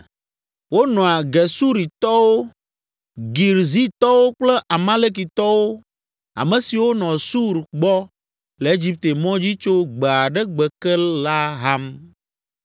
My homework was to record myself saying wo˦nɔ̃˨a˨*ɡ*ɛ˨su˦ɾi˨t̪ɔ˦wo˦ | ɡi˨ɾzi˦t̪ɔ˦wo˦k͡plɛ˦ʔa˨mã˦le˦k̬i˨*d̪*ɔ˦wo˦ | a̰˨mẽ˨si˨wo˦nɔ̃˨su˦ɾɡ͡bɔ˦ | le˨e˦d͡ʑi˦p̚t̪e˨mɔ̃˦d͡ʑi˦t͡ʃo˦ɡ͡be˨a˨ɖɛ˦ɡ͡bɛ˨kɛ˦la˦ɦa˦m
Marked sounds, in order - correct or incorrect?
correct, incorrect: t̪

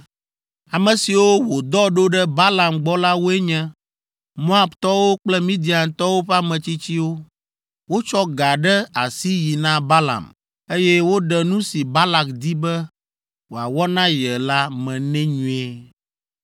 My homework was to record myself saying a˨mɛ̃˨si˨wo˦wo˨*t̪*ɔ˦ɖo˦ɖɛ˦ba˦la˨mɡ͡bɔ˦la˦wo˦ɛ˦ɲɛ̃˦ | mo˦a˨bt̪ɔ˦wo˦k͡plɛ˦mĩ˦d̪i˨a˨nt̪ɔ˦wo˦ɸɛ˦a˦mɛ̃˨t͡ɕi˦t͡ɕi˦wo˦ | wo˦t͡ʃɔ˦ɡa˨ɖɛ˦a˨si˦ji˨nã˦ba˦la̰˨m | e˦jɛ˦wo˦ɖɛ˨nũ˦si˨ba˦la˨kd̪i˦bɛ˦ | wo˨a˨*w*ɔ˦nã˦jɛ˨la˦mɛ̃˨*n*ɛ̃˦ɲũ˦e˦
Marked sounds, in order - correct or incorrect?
incorrect: d̪, correct, correct

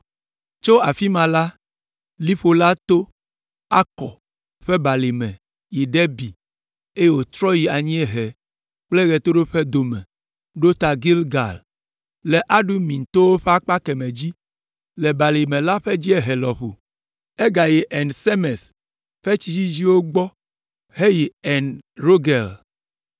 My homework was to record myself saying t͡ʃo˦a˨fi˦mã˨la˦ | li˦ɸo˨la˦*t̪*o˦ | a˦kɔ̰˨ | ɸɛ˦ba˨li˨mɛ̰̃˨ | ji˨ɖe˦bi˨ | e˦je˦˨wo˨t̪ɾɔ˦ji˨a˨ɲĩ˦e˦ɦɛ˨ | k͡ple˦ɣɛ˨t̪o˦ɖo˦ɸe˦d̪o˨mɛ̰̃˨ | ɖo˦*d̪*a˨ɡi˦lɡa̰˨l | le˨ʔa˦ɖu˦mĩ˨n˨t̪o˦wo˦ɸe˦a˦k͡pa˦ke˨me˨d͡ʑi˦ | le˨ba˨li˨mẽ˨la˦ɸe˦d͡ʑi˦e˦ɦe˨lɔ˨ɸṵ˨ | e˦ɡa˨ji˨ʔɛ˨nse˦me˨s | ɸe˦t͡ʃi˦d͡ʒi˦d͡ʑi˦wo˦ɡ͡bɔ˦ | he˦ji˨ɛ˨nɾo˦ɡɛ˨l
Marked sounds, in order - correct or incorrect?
correct, incorrect: t̪

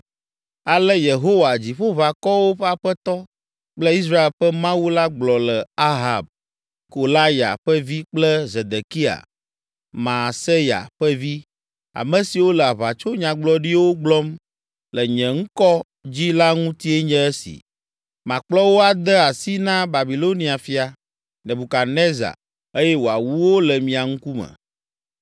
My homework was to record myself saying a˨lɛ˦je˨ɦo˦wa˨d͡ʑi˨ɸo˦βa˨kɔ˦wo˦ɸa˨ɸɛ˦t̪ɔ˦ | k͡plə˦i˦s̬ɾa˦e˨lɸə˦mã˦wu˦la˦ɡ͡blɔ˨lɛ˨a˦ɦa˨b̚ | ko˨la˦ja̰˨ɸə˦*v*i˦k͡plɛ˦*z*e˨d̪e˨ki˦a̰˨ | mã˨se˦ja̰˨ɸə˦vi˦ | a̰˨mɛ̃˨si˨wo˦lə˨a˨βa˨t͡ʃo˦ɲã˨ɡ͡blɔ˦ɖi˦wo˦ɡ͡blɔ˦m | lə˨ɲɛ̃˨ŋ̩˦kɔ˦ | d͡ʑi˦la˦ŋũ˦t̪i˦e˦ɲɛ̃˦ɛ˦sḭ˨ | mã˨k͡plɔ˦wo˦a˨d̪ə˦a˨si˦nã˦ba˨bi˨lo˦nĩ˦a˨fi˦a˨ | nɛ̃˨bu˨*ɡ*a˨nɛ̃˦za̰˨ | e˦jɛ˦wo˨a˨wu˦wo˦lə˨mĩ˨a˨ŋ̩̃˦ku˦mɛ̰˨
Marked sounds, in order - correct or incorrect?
correct, correct, incorrect: k

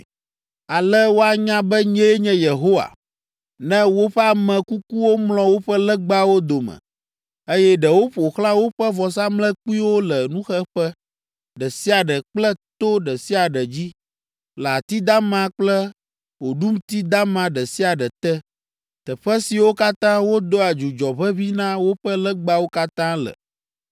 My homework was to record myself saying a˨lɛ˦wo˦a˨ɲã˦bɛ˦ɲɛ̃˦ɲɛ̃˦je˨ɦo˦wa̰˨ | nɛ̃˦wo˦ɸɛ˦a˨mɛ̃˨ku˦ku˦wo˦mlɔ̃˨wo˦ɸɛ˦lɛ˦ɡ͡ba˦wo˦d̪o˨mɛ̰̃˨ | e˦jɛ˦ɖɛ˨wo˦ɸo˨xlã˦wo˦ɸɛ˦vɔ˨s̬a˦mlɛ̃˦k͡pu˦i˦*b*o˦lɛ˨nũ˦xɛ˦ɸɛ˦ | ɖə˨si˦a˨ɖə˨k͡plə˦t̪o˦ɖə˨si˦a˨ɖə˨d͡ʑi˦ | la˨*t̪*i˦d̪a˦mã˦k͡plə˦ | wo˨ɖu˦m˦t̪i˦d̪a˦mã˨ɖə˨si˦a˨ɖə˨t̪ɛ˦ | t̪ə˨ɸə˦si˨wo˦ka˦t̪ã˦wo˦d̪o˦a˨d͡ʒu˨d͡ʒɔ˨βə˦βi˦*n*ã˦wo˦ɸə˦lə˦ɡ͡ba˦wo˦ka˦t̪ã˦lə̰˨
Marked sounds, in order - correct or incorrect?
incorrect: w, correct, correct

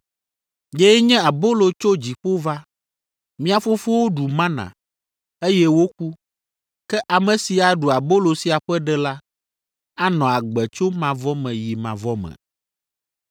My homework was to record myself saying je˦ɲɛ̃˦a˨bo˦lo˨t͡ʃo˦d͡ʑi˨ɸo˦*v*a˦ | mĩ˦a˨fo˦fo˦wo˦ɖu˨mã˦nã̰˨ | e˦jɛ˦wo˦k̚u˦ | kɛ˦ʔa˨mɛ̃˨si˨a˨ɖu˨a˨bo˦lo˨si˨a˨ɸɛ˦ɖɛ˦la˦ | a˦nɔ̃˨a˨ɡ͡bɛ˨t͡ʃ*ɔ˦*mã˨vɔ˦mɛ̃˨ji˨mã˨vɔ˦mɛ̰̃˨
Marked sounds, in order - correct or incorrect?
correct, incorrect: o˦

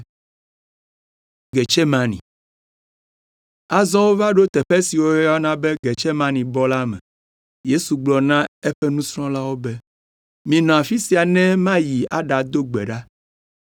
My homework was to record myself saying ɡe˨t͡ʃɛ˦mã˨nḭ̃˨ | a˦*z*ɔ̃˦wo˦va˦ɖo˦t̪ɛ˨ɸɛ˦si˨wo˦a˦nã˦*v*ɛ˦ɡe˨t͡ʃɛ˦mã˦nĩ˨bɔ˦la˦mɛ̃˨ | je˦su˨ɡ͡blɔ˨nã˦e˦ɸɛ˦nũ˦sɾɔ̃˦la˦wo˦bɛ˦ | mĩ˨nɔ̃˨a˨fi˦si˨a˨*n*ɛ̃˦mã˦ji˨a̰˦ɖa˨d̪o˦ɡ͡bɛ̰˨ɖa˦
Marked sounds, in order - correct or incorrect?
correct, incorrect: b, correct

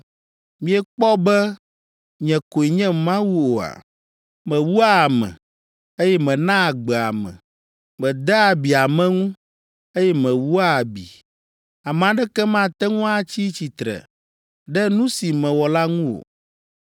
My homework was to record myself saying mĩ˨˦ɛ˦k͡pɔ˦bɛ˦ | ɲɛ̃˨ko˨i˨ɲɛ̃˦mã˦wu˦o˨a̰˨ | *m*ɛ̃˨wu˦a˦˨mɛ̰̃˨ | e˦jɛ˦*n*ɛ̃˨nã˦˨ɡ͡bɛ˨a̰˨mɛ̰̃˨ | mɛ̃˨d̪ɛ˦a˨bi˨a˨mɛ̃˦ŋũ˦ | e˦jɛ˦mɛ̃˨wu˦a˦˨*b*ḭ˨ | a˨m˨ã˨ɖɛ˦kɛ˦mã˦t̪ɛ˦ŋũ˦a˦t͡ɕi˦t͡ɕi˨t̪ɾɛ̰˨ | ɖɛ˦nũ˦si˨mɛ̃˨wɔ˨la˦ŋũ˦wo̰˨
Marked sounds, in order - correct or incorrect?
correct, incorrect: m, correct

